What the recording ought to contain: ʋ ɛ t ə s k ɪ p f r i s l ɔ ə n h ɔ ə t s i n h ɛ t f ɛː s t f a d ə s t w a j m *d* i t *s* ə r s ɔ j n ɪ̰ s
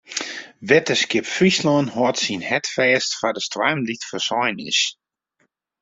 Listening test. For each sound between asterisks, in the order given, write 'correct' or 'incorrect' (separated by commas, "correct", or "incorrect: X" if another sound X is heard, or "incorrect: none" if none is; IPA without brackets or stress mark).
correct, incorrect: f